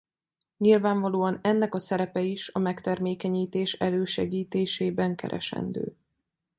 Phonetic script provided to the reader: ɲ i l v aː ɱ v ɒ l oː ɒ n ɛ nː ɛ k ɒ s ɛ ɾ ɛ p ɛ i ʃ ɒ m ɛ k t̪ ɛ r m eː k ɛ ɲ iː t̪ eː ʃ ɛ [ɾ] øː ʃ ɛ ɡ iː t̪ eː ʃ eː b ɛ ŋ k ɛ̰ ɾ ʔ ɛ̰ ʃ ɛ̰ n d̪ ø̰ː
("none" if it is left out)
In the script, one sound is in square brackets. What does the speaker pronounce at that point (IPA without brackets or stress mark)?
l